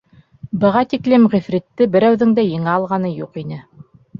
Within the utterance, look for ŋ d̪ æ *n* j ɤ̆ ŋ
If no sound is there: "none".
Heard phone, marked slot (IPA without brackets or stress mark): none